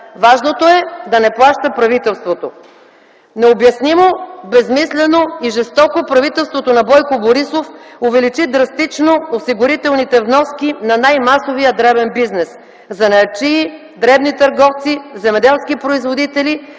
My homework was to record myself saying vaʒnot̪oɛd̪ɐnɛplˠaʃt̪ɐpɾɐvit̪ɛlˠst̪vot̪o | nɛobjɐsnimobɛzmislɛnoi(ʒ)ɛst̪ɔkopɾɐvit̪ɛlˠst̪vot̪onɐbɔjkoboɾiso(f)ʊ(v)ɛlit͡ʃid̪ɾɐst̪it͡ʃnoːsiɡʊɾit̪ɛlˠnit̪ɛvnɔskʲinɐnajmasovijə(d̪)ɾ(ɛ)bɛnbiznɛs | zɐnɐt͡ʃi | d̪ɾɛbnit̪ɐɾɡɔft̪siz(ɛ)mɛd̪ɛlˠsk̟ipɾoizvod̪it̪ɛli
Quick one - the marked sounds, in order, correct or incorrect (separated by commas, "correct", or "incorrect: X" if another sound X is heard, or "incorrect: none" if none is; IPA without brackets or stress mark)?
correct, correct, correct, correct, correct, correct